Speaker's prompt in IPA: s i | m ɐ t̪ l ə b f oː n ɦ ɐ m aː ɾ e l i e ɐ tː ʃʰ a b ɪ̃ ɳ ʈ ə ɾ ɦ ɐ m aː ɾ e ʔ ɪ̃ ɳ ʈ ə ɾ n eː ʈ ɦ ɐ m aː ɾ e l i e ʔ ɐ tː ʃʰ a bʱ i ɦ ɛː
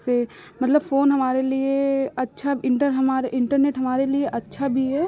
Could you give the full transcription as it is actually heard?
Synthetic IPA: s e | m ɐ t̪ l ə b f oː n ɦ ɐ m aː ɾ e l i e ɐ tː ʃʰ a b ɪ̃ ɳ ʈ ə ɾ ɦ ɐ m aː ɾ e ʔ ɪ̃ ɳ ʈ ə ɾ n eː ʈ ɦ ɐ m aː ɾ e l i e ʔ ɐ tː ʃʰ a bʱ i ɦ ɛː